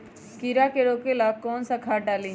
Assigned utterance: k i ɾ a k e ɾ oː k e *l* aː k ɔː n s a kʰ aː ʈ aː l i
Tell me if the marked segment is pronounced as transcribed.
yes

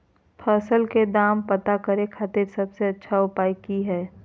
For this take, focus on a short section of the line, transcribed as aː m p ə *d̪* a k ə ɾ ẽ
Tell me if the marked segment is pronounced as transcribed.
no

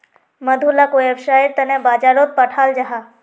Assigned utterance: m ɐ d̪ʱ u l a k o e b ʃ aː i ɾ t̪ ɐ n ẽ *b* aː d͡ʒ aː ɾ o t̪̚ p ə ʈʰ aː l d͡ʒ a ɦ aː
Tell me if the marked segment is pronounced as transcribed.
yes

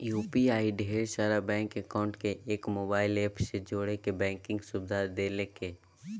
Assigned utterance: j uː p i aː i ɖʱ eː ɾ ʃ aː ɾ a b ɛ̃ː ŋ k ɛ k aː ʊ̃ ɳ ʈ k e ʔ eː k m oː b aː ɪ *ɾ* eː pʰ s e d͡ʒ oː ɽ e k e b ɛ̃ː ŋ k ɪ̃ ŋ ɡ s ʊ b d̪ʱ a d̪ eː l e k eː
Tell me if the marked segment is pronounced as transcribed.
no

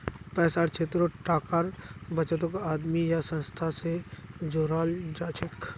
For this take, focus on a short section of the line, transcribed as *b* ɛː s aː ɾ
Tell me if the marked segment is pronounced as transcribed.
no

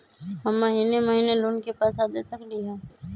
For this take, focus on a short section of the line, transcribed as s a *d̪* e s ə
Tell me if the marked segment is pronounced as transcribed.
yes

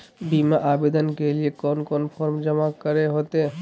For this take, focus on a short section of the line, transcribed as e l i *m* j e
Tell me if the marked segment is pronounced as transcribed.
no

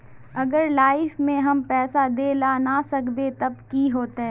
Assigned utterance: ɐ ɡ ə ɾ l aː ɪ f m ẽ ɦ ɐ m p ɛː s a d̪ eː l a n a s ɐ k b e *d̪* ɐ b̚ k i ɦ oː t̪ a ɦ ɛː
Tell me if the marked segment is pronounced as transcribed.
no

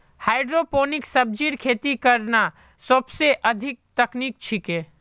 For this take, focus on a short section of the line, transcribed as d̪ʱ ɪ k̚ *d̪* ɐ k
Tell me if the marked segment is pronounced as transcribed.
no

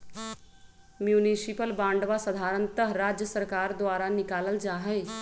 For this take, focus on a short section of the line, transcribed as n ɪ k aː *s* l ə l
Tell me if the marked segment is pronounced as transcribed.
no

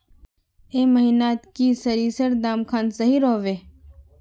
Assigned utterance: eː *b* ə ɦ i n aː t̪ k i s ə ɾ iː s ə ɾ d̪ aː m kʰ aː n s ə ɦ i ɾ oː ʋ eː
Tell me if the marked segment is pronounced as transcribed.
no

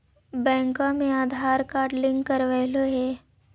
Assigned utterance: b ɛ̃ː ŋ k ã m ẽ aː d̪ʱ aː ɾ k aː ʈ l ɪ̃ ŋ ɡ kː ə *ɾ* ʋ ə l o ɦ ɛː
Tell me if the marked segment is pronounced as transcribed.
yes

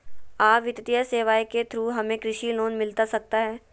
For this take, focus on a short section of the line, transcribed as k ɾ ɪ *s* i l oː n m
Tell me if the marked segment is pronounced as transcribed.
no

